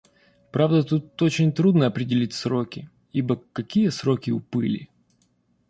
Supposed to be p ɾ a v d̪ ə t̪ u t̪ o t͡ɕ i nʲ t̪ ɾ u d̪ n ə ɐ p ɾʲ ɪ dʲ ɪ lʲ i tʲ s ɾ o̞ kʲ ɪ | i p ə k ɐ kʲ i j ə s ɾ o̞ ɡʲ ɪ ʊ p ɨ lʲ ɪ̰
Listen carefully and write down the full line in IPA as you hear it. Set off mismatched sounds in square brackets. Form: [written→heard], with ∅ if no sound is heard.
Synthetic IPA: p ɾ a v d̪ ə t̪ u t̪ o t͡ɕ [i→ɪ] nʲ t̪ ɾ u d̪ n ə ɐ p ɾʲ ɪ dʲ ɪ lʲ i tʲ s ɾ o̞ kʲ ɪ | i [p→b] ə k ɐ kʲ i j ə s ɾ o̞ [ɡʲ→kʲ] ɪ ʊ p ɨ lʲ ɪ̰